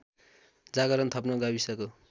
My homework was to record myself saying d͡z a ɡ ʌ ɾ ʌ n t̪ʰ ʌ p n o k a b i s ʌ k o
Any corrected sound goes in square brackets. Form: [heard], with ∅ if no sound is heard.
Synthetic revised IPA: d͡z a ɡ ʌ ɾ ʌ n t̪ʰ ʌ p n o [ɡ] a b i s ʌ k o